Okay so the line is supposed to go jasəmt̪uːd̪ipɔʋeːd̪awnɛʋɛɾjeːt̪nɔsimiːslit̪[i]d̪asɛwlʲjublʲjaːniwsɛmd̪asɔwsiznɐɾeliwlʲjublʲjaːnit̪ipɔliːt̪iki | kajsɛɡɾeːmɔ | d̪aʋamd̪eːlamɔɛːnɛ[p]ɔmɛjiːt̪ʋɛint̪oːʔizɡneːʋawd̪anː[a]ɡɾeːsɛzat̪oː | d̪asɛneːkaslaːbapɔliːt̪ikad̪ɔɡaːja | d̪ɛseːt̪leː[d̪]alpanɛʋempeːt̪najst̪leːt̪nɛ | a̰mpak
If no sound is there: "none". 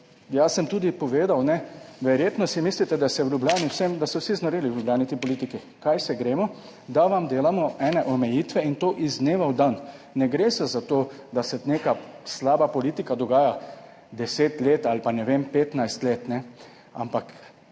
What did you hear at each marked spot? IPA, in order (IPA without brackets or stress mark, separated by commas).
ɛ, ʔ, ɛ, t̪